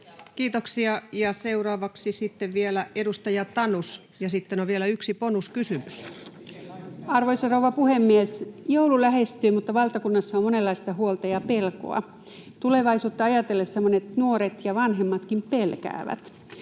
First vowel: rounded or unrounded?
unrounded